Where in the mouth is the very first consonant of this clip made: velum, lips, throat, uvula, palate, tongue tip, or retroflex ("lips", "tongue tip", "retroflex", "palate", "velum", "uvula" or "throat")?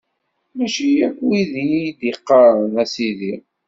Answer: lips